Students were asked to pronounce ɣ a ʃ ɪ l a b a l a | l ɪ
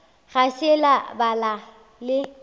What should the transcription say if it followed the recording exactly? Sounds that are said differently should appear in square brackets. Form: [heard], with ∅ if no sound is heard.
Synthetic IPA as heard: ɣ a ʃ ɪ l a b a l a | l ɪ